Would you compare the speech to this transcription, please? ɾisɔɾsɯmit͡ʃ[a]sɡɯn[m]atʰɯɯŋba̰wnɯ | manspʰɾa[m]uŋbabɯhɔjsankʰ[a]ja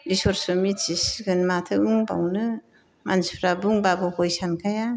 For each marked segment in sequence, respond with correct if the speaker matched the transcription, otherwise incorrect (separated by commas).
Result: incorrect, correct, incorrect, correct